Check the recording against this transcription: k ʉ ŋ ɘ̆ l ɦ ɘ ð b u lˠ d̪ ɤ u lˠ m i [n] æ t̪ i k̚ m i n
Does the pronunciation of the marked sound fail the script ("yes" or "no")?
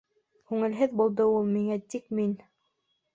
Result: yes